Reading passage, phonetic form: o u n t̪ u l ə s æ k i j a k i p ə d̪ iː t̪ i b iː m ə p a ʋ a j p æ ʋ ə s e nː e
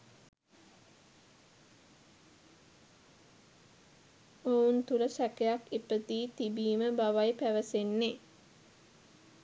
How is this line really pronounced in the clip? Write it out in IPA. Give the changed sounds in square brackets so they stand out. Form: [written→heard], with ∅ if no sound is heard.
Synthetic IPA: o u n t̪ u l ə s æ k [i→e] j a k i p ə [d̪→t̪] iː t̪ i b iː m ə [p→b] a ʋ a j p æ ʋ ə s e nː e